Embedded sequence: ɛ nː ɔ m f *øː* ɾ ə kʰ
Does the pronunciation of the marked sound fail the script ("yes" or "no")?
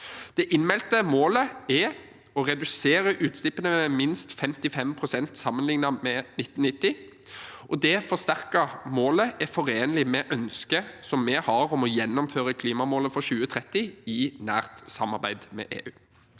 no